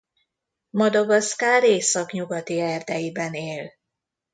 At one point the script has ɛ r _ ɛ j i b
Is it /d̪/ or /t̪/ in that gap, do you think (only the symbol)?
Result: d̪